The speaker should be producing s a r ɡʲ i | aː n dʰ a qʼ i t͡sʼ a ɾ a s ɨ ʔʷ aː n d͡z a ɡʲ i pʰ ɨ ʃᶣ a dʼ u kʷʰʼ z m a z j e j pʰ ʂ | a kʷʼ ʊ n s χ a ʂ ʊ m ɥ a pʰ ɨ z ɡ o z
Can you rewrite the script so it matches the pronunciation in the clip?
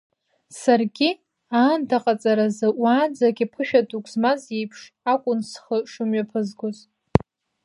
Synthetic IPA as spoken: s a r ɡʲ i | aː n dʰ a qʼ a t͡sʼ a ɾ a z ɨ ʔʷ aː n d͡z a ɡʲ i pʰ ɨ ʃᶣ a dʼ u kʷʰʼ z m a z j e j pʰ ʂ | a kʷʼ ʊ n s χ ə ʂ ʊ m ɥ a pʰ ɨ z ɡ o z